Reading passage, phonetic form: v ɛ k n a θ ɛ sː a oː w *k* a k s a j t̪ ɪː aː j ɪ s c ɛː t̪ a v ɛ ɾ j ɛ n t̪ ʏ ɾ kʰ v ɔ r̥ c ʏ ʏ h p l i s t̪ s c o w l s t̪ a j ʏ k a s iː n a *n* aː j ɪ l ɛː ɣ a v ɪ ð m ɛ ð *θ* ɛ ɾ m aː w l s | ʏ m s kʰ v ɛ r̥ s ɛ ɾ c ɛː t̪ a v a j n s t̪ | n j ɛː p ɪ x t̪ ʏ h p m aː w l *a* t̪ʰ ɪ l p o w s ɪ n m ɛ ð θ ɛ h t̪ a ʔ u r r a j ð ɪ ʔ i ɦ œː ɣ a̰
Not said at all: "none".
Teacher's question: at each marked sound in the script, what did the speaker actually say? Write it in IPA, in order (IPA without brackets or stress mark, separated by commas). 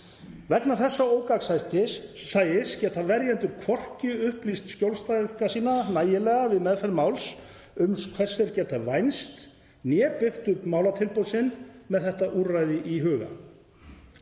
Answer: k, n, f, a